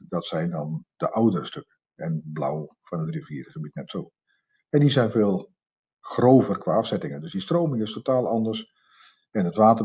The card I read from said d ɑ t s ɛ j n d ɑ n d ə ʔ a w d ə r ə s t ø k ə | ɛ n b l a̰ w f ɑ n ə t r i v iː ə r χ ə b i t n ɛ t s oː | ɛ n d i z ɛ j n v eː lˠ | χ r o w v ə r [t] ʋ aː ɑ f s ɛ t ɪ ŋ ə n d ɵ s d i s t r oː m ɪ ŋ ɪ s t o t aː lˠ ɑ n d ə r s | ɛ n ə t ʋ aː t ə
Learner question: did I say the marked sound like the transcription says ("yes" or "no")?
no